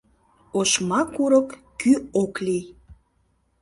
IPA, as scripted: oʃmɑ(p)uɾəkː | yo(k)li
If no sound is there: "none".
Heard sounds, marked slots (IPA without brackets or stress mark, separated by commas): k, k